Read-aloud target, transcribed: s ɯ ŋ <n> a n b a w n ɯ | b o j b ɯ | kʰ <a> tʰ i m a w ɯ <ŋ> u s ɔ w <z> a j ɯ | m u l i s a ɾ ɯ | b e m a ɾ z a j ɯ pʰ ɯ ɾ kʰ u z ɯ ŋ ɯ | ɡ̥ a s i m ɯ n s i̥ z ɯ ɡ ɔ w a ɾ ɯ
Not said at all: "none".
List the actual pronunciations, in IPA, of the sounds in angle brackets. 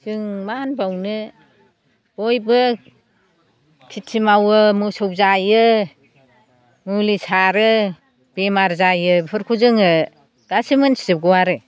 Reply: m, i, m, z

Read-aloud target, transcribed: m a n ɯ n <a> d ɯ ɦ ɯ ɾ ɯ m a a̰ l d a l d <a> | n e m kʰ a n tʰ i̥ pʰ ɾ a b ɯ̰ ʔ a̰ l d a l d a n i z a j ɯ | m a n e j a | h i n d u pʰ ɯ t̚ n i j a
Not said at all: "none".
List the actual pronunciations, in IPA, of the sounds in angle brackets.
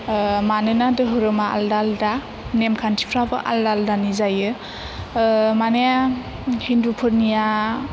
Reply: a, a

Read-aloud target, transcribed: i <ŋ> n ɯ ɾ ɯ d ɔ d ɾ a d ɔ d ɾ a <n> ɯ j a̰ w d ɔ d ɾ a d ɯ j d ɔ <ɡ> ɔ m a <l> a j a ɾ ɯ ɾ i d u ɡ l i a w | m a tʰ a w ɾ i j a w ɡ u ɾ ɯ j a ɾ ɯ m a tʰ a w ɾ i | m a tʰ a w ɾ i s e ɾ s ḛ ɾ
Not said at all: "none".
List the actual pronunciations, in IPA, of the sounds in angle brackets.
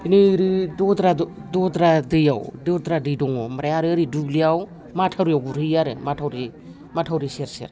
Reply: none, d, ŋ, ɾ

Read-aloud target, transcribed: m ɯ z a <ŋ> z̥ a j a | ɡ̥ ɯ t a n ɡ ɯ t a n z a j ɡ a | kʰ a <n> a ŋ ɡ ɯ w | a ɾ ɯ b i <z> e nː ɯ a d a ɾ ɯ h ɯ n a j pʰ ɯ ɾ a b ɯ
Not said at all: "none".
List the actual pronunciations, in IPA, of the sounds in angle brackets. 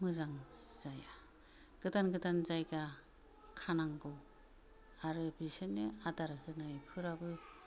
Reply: ŋ, n, s

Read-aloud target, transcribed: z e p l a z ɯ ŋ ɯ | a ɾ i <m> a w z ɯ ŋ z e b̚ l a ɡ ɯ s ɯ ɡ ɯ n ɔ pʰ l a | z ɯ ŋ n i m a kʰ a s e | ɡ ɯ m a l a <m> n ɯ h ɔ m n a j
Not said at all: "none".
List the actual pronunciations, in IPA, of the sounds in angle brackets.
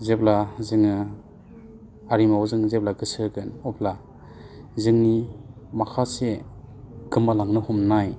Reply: m, ŋ

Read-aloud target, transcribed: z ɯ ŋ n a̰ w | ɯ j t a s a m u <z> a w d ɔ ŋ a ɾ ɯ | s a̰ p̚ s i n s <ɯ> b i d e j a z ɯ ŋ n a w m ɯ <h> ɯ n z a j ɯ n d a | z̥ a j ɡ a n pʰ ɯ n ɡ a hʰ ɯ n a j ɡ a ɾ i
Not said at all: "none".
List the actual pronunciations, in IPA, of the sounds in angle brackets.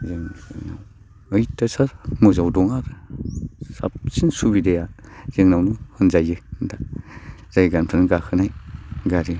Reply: z, u, h

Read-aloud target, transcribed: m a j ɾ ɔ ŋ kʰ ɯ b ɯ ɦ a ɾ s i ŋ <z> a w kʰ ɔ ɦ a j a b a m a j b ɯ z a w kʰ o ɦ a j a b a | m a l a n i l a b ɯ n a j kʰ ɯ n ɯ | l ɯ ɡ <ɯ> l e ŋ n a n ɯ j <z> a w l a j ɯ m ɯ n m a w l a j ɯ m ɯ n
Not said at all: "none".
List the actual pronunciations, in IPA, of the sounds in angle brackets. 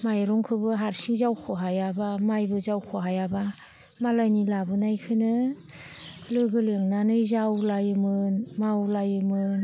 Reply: z, ɯ, z

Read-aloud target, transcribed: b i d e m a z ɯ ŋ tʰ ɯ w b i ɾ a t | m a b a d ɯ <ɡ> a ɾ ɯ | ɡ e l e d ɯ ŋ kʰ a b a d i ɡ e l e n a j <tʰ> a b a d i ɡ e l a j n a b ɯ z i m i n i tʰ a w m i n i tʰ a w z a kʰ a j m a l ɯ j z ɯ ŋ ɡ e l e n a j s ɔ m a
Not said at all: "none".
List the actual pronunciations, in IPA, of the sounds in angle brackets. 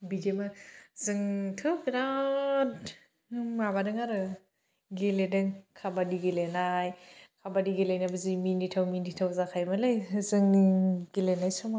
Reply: ŋ, kʰ

